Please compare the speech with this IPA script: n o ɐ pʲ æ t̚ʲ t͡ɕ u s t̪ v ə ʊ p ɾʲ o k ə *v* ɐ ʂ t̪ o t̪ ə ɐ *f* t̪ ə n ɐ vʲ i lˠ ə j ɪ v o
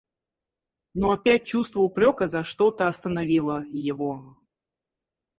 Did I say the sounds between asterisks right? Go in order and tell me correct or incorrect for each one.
incorrect: z, incorrect: s

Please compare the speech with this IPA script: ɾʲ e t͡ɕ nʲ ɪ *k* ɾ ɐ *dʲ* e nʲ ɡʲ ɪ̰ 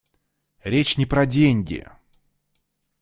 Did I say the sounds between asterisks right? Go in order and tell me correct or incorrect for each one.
incorrect: p, correct

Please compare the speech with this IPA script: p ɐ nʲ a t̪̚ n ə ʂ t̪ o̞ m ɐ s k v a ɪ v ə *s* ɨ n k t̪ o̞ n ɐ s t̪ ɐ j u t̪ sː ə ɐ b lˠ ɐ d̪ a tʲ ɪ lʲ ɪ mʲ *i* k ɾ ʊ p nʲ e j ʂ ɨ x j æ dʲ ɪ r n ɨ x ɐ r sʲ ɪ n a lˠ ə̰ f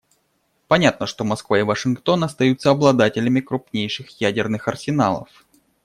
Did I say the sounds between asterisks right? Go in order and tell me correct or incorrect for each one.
incorrect: ʂ, incorrect: ɪ

